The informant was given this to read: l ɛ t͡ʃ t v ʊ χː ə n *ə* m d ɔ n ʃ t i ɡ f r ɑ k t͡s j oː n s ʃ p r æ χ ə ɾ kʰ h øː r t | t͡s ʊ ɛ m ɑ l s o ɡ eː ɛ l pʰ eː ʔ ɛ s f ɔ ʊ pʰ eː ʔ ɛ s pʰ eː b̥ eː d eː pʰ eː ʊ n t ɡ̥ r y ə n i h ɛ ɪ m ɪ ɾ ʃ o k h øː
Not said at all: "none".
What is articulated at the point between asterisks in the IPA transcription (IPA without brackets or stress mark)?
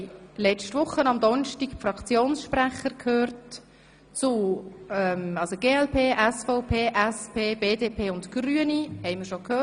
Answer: ɑ